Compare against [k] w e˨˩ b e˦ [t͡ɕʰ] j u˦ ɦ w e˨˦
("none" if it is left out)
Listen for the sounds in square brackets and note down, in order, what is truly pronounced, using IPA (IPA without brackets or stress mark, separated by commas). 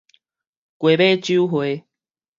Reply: k, t͡ɕ